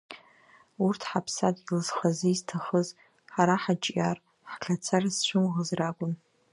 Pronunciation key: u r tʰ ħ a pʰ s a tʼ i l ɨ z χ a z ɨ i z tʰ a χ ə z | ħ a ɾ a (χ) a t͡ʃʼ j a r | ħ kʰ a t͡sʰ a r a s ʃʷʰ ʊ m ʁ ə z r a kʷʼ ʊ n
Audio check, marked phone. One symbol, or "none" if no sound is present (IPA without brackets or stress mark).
ħ